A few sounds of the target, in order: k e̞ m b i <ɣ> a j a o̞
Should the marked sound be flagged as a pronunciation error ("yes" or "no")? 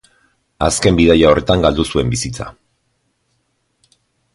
yes